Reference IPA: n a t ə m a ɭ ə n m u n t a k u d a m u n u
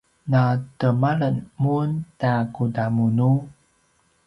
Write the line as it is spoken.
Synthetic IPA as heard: n a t ə m a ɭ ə n m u n t a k u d a m u n u